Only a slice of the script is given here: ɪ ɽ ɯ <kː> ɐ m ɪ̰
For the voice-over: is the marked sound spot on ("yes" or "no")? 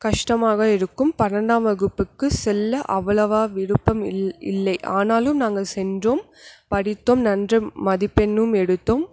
no